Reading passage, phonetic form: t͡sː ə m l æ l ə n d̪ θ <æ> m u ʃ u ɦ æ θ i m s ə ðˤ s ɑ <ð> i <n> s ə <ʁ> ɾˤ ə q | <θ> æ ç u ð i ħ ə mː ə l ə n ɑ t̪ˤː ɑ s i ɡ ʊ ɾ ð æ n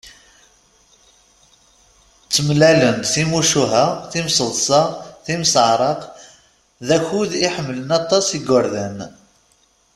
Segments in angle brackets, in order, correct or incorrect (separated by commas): incorrect, incorrect, incorrect, incorrect, incorrect